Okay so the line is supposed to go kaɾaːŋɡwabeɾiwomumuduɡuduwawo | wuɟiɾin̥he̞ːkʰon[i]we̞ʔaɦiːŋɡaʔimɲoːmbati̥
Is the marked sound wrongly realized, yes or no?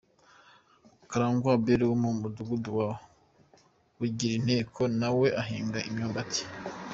yes